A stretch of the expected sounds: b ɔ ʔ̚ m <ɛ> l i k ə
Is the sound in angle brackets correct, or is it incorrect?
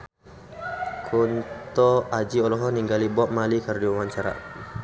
incorrect: a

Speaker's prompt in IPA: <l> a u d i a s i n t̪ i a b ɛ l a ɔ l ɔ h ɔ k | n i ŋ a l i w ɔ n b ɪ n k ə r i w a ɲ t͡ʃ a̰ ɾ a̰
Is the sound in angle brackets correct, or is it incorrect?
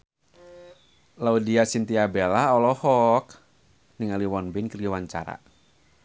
correct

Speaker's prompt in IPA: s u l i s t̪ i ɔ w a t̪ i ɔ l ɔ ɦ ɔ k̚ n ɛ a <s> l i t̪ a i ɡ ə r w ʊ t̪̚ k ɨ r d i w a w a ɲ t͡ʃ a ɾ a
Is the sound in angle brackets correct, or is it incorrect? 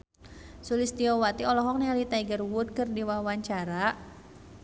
incorrect: none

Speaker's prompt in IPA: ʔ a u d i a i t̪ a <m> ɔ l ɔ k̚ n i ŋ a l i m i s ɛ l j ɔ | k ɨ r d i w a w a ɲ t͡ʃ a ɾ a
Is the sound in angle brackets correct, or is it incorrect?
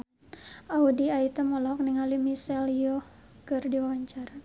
correct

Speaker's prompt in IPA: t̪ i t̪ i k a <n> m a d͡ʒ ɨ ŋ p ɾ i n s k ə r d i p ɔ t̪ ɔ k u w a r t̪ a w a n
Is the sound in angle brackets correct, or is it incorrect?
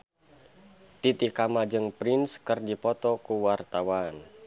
incorrect: none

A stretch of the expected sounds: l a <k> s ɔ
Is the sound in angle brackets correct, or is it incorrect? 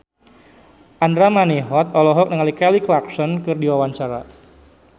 correct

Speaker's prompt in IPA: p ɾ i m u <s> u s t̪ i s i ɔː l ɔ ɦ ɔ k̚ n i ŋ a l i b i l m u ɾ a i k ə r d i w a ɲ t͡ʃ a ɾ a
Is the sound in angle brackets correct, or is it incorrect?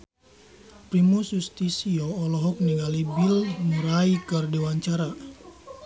correct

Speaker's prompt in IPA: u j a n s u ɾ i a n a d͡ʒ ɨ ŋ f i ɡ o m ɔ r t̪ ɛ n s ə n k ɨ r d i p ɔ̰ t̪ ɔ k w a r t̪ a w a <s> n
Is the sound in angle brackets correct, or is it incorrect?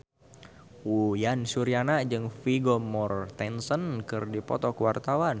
incorrect: none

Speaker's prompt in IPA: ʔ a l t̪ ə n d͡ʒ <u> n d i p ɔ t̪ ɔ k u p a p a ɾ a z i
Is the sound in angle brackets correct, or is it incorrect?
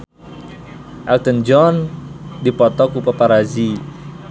incorrect: ɔ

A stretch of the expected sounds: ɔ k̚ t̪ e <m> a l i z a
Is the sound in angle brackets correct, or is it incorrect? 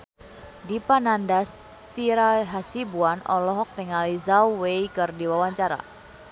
incorrect: ŋ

